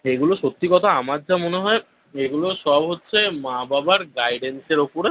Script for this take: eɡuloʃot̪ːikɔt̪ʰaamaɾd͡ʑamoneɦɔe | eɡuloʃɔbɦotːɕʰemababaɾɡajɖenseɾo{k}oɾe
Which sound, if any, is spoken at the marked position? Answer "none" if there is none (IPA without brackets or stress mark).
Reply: p